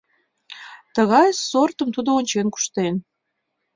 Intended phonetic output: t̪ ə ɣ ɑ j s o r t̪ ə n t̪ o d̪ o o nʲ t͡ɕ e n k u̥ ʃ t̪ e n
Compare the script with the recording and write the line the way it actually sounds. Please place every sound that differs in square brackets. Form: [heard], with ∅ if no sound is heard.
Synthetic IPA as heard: t̪ ə ɣ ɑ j s o r t̪ ə [m] t̪ [u] d̪ o o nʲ t͡ɕ e n k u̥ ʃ t̪ e n